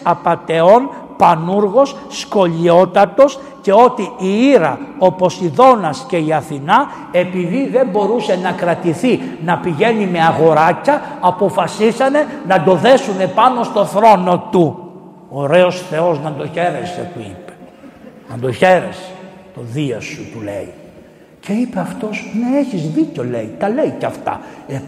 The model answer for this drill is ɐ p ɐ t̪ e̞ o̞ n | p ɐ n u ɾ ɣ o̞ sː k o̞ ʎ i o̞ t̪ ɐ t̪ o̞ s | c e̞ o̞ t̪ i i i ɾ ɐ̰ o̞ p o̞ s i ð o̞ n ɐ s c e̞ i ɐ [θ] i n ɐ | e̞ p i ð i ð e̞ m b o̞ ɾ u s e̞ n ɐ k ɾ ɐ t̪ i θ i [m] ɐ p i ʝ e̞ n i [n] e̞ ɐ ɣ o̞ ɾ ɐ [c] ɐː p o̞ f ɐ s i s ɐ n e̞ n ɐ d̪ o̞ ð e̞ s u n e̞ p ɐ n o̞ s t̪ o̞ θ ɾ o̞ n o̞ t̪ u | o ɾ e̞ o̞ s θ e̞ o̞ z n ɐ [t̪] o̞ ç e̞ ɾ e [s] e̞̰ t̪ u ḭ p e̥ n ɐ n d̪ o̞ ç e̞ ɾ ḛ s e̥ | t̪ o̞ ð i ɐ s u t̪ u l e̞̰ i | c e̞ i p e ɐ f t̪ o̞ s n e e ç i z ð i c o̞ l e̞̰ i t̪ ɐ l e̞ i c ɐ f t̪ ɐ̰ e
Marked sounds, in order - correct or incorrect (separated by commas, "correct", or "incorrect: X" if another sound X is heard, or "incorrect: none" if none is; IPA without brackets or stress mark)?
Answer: correct, incorrect: n, incorrect: m, correct, incorrect: d̪, correct